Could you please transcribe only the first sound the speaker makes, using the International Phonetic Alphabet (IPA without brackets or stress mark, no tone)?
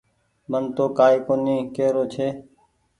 m